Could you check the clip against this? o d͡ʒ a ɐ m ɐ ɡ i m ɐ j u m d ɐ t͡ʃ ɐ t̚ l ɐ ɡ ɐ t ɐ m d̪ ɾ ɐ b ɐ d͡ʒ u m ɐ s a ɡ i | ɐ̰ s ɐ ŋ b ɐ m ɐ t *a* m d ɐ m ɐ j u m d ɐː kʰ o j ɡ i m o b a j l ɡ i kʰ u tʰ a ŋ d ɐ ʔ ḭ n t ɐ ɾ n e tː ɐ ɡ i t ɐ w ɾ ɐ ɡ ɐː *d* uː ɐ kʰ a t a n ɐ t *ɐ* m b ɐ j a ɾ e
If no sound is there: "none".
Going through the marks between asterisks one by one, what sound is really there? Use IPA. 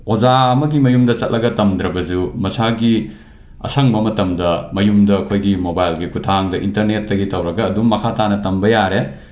ɐ, d, ɐ

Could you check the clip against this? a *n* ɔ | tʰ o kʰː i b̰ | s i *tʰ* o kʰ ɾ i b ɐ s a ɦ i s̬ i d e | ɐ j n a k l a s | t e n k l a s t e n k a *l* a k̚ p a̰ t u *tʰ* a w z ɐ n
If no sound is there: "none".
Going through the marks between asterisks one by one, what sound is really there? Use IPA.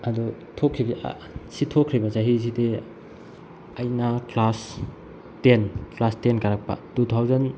d, tʰ, ɾ, tʰ

